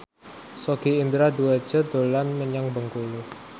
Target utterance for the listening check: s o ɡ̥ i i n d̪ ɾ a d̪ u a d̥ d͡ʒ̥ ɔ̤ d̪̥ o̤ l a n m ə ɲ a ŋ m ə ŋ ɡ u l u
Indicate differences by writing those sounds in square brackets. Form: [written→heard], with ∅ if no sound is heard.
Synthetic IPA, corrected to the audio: s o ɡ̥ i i n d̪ ɾ a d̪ u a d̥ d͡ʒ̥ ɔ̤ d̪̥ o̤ l a n m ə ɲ a ŋ [m→b] ə ŋ [ɡ→k] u l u